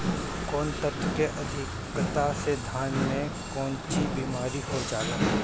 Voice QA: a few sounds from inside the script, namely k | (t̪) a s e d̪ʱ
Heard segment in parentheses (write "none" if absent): t̪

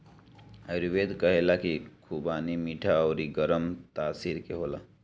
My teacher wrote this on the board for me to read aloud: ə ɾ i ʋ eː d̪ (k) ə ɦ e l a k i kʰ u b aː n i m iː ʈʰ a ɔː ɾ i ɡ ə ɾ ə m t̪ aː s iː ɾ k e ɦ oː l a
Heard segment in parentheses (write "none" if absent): k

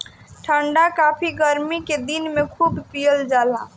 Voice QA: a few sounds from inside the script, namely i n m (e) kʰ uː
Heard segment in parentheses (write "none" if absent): e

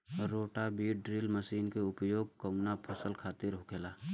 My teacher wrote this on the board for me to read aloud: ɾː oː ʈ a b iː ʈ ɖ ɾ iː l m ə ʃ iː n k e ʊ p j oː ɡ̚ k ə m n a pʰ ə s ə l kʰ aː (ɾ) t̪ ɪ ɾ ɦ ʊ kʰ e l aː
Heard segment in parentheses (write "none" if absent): none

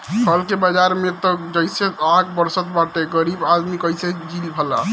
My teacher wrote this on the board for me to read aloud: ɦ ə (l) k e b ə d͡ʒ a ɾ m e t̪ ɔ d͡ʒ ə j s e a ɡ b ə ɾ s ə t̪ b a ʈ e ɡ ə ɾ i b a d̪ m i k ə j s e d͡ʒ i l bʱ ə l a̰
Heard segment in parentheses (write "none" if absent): l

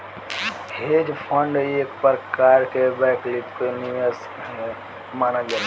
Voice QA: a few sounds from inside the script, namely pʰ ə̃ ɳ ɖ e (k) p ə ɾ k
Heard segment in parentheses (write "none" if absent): k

